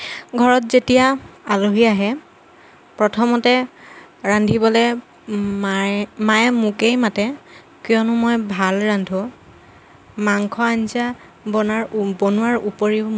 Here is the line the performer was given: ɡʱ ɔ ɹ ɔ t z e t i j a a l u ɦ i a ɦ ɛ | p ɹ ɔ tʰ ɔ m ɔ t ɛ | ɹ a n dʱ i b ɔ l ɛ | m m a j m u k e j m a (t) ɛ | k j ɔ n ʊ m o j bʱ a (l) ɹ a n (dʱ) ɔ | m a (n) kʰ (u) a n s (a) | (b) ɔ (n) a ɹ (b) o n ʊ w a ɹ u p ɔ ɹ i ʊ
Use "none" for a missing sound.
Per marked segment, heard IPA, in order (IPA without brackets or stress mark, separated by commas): t, l, dʱ, ŋ, ɔ, a, b, n, b